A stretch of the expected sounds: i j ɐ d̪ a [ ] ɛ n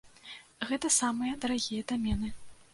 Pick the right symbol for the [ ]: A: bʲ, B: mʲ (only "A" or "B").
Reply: B